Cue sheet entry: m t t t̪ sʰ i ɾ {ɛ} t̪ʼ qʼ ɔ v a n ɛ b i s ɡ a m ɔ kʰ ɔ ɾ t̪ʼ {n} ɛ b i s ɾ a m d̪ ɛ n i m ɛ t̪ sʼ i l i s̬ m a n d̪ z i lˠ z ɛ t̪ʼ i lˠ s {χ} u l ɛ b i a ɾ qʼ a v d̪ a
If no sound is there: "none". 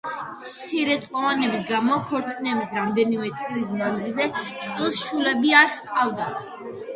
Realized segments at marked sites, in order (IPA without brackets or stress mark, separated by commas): ɛ, n, ʃ